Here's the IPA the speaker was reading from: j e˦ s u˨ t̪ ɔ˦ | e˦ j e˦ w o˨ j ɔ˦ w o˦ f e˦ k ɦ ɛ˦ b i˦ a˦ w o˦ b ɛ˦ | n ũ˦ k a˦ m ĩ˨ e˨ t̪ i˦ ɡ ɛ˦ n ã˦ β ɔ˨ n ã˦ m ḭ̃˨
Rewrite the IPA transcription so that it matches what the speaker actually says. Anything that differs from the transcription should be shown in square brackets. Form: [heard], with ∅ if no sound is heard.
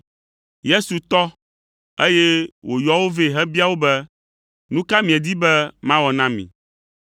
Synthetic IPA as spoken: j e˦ s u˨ t̪ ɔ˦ | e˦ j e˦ w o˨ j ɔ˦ w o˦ [v] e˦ [∅] ɦ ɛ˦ b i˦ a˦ w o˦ b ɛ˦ | n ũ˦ k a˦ m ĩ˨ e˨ [d̪] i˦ [b] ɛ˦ [m] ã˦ [w] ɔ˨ n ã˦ m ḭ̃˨